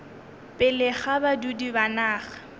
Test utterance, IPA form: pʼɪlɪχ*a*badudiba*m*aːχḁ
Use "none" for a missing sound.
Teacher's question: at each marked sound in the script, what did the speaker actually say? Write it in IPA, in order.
a, n

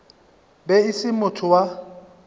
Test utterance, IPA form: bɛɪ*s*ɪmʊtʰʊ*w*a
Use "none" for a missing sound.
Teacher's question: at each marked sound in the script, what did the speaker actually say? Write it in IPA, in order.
s, w

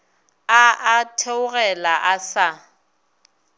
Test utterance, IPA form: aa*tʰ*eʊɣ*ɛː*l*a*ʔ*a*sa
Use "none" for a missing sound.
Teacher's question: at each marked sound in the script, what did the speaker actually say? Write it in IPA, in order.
tʰ, ɛ, a, a

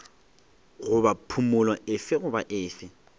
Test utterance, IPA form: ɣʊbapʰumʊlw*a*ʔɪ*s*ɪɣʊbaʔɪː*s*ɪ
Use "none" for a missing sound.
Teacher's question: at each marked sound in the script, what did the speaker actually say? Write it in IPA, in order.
a, f, f

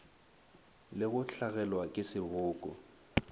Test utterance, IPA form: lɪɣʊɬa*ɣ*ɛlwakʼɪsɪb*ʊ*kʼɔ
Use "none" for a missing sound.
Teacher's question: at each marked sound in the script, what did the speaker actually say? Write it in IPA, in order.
ɣ, ʊː

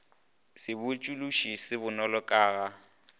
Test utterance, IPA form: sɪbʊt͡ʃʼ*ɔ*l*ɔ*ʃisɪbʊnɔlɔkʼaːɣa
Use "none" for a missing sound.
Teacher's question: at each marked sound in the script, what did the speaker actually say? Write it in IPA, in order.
u, u

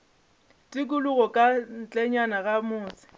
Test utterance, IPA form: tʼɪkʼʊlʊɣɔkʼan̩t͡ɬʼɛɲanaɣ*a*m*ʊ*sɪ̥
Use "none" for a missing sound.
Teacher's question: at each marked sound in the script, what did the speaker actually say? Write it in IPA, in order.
a, ʊː

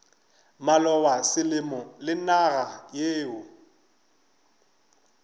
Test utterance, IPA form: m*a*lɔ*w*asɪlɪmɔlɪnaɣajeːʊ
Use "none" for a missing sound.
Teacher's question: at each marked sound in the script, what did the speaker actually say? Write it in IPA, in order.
a, w

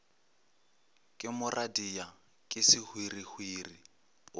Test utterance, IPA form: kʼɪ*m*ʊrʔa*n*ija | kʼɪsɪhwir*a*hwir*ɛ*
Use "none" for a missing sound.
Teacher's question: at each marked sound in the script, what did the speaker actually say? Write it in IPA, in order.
m, d, i, i

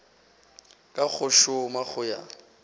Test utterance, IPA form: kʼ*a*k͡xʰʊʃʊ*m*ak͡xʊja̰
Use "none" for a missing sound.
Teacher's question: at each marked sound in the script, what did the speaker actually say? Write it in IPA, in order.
a, m

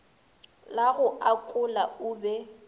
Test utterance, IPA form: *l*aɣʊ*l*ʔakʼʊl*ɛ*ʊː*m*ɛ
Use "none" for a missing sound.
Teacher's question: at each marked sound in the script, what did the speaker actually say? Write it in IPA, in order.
l, none, a, b

